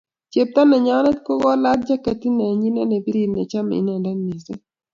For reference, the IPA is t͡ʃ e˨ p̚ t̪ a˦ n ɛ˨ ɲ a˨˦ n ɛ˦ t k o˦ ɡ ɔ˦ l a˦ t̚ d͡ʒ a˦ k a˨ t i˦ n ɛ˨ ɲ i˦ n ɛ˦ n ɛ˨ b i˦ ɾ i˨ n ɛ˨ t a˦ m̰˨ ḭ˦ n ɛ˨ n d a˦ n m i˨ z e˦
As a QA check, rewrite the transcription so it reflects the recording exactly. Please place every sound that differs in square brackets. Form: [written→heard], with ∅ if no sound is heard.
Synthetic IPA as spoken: t͡ʃ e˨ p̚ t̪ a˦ n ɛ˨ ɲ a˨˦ n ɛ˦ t k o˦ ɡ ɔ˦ l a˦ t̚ d͡ʒ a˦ k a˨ t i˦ n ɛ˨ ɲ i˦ n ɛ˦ n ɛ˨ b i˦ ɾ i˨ n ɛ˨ [t→t͡ʃ] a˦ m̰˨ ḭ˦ n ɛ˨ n d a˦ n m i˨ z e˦